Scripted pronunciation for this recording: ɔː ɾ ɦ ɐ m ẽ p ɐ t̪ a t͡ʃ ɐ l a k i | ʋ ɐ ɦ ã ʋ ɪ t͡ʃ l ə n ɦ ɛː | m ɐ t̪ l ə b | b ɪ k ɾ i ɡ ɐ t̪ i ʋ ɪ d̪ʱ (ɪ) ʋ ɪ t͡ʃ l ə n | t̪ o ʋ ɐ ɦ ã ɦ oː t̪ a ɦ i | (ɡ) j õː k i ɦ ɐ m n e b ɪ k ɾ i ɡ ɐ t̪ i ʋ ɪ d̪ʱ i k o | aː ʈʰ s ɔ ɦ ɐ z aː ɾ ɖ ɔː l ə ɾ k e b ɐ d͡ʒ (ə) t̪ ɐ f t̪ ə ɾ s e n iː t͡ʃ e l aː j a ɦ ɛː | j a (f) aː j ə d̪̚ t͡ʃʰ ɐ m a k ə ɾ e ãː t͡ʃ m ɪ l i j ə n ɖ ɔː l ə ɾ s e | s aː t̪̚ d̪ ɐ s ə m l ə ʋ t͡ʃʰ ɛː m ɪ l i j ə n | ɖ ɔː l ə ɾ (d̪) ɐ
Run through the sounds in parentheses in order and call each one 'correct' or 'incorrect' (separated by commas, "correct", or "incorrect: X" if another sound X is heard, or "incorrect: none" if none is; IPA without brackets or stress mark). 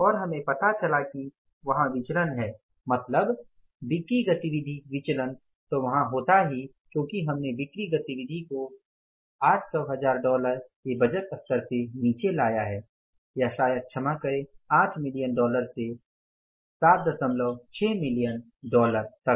incorrect: i, incorrect: k, correct, incorrect: ʃ, incorrect: t̪